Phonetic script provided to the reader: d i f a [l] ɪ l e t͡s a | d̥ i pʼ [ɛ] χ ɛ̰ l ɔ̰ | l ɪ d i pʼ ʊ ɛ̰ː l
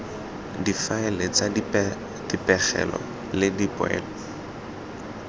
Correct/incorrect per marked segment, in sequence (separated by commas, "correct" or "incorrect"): incorrect, correct